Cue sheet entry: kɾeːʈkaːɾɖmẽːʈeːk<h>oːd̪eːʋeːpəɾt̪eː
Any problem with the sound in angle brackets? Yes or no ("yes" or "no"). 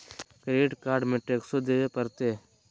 yes